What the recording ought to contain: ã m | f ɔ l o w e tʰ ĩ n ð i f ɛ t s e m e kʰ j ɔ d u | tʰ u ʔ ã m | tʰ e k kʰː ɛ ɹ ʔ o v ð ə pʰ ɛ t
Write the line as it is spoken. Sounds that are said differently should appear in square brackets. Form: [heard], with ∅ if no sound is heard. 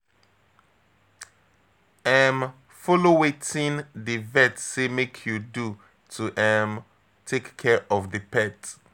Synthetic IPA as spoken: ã m | f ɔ l o w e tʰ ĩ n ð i [v] ɛ t s e m e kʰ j [u] d u | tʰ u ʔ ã m | tʰ e k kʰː ɛ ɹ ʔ [ɔ] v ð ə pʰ ɛ t

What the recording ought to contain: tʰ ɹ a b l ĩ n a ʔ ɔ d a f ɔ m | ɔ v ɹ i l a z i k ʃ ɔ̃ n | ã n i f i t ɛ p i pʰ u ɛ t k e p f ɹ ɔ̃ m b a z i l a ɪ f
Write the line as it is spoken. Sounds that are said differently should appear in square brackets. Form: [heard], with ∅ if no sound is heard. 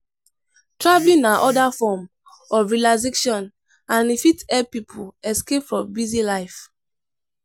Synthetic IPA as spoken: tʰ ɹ a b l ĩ n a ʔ ɔ d a f ɔ m | ɔ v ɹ i l a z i k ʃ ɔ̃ n | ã n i f i t ɛ p i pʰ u ɛ [s] k e p f ɹ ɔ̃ m b [i] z i l a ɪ f

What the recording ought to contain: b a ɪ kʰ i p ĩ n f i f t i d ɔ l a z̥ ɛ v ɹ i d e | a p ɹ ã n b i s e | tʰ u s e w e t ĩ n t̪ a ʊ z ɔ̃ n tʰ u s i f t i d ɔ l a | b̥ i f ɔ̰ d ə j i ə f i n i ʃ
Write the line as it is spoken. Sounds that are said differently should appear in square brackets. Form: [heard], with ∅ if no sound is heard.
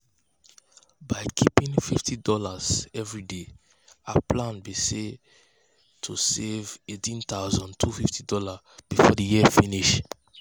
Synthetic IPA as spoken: b a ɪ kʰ i p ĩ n f i f t i d ɔ l a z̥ ɛ v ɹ i d e | a p [l] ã n b i s e | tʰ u s e [v] e t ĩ n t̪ a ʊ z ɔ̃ n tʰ u [f] i f t i d ɔ l a | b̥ i f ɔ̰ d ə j i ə f i n i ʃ

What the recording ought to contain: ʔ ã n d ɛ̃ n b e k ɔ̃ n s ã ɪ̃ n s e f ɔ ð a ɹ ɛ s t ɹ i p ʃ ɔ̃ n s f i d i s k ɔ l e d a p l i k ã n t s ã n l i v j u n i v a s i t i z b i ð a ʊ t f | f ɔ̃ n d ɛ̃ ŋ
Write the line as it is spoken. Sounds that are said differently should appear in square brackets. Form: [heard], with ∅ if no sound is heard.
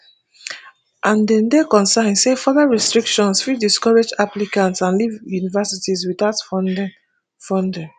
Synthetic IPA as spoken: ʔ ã n d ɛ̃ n [d] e k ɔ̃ n s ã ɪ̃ n s e f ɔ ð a ɹ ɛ s t ɹ i [k] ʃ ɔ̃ n s f i d i s k ɔ [ɹ] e [d͡ʒ] a p l i k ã n t s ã n l i v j u n i v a s i t i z [w] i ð a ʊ t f | f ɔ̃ n d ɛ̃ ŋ

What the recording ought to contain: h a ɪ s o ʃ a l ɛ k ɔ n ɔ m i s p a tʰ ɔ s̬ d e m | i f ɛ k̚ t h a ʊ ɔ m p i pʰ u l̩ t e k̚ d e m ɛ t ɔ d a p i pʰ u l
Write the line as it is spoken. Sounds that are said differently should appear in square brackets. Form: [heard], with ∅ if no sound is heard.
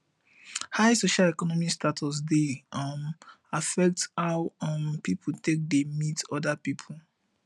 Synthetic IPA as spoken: h a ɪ s o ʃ a l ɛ k ɔ n ɔ m i s [t] a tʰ ɔ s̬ d e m | [a] f ɛ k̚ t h a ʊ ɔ m p i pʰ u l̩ t e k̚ d e m [i] t ɔ d a p i pʰ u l

